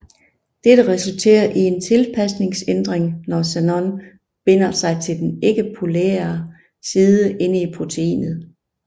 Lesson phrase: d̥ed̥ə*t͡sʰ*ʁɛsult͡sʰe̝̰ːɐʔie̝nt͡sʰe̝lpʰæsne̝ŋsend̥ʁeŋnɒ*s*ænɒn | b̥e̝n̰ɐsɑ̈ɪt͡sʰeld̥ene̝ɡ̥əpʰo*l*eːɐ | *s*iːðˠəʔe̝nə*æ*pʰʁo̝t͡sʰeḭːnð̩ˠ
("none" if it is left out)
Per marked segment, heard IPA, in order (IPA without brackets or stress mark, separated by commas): none, s, l, s, i